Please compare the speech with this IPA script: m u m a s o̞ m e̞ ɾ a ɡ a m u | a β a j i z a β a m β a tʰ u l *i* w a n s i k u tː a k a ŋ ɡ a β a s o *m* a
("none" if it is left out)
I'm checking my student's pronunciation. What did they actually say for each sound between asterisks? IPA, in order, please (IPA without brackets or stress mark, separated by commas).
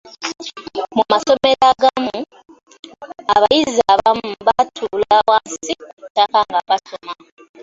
a, m